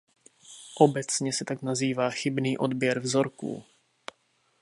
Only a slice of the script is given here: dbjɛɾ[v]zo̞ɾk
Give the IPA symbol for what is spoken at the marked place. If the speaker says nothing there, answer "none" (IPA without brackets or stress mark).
v